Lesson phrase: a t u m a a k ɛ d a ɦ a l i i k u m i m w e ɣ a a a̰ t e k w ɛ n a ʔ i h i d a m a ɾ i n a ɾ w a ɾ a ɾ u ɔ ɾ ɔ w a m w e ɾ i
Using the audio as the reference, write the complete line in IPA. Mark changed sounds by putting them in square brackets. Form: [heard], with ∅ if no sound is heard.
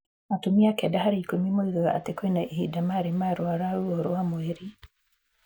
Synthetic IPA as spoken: a t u m [i] a k ɛ d a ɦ a [ɾ] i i k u m i m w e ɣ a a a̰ t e k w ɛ n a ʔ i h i d a m a ɾ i [m] a ɾ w a ɾ a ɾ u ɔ ɾ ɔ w a m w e ɾ i